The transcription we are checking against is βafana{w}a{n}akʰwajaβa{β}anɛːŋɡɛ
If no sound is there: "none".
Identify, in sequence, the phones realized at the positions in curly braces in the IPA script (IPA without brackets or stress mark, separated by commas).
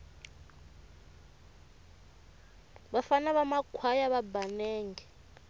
β, m, b